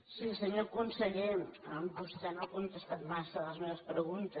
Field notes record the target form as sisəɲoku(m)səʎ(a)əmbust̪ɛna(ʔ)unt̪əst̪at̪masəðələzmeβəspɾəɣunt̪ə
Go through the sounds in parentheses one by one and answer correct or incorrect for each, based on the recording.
incorrect, incorrect, incorrect

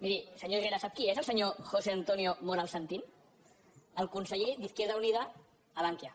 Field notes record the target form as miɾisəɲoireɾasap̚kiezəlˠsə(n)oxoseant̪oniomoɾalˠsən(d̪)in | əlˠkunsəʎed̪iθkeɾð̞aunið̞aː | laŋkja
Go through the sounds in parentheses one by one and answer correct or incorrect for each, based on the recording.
incorrect, incorrect

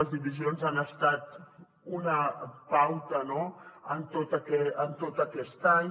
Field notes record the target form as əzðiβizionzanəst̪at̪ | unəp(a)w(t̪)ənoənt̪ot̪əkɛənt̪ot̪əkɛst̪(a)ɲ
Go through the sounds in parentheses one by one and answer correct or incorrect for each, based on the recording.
correct, correct, correct

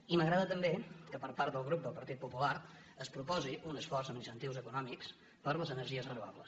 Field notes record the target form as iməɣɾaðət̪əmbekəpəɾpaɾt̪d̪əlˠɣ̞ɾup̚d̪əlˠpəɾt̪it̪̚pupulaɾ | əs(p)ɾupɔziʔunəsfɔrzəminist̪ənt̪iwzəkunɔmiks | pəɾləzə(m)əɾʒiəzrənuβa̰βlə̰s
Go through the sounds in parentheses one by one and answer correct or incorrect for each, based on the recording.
correct, incorrect

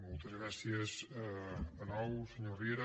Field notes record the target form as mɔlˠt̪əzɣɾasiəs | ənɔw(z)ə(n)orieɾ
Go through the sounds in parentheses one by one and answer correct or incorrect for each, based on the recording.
incorrect, incorrect

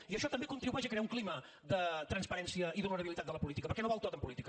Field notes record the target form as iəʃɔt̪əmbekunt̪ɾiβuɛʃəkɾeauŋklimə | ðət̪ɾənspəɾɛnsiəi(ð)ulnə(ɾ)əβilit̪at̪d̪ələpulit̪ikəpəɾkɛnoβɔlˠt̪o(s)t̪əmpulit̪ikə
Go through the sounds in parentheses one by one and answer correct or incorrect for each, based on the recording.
correct, correct, incorrect

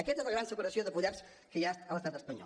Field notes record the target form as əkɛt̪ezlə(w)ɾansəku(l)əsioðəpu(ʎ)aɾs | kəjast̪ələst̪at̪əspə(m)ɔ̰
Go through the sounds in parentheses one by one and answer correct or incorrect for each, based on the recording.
incorrect, incorrect, correct, incorrect

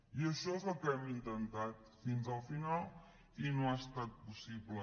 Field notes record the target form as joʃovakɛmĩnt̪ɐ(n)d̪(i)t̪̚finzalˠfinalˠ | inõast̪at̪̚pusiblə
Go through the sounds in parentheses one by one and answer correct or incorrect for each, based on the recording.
correct, incorrect

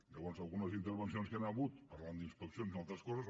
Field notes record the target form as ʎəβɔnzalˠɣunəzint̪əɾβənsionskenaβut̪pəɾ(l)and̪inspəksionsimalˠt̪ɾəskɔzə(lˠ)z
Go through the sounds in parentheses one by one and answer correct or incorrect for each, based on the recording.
correct, incorrect

